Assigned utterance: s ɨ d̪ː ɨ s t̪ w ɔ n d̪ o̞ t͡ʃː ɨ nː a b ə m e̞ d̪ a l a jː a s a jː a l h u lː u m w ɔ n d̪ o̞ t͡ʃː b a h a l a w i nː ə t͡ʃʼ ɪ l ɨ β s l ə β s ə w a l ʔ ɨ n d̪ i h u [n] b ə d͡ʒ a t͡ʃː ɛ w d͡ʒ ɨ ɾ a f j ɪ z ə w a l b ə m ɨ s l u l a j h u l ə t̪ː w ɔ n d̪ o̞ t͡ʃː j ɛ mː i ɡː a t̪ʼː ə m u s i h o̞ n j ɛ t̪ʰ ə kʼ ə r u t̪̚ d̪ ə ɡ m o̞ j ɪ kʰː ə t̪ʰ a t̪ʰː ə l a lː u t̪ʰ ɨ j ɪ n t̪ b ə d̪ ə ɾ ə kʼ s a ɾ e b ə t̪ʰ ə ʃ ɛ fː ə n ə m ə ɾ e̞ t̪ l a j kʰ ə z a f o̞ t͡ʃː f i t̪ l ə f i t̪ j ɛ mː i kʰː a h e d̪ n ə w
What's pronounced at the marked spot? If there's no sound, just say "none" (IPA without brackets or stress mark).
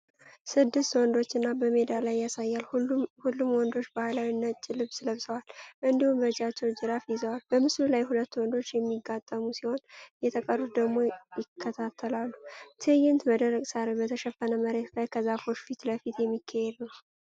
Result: m